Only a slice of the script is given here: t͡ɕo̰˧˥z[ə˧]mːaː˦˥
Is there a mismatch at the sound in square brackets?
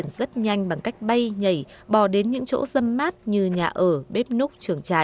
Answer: no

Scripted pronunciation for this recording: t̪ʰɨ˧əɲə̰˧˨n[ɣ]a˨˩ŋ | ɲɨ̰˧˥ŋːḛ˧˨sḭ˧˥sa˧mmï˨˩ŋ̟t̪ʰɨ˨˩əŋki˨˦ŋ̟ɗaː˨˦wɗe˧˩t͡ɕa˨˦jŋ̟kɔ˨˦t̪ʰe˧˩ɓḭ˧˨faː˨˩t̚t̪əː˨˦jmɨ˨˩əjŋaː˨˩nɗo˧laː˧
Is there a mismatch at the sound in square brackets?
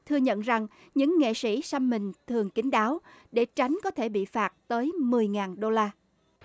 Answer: yes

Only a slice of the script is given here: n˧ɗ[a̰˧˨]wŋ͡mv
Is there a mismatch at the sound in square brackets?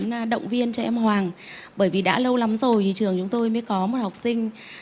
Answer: yes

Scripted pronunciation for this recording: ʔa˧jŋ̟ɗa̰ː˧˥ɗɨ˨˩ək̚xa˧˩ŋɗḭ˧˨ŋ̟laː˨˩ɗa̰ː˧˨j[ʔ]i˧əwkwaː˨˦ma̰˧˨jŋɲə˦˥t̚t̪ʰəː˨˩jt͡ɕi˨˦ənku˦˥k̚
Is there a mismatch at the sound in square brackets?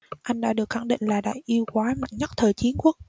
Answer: no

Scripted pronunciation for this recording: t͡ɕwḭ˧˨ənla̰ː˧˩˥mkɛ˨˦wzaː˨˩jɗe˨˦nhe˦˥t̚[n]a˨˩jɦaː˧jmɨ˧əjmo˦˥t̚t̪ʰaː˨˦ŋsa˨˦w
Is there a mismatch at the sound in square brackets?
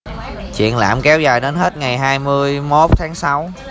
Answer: yes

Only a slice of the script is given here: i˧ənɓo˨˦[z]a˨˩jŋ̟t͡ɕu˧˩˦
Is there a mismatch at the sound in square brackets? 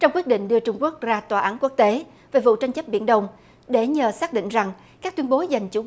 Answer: no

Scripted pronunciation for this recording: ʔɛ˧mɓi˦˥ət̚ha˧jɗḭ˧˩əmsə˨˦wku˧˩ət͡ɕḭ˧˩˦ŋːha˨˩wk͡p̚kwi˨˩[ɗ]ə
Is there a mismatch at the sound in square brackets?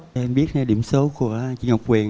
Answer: yes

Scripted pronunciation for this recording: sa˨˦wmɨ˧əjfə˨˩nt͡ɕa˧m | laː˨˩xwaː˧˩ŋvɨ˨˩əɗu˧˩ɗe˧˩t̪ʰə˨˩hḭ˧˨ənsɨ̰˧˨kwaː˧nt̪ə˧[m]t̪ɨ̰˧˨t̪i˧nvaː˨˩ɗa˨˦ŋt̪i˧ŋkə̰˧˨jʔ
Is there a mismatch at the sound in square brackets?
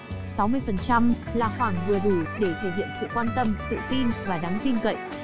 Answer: no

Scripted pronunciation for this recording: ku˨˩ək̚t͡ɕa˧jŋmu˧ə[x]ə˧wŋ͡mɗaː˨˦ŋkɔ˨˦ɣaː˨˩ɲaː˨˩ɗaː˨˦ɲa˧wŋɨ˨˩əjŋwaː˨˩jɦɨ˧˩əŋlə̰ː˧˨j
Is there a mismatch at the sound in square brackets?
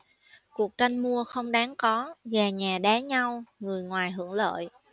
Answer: no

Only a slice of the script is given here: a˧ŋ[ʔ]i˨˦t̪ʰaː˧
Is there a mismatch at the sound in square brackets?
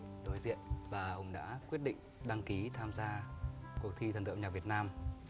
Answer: yes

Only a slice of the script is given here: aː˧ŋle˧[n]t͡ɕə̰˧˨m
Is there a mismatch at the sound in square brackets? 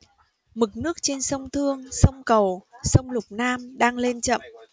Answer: no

